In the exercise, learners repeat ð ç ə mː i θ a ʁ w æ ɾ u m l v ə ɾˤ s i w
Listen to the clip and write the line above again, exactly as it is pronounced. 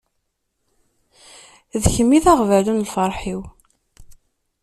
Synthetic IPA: ð ç ə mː i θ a ʁ v æ l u n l f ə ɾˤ ħ i w